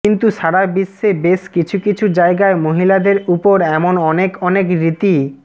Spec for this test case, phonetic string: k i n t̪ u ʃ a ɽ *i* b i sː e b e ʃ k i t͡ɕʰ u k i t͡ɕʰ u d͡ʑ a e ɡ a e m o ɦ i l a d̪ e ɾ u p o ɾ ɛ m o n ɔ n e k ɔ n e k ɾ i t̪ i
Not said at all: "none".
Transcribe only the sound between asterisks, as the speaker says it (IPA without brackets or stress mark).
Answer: a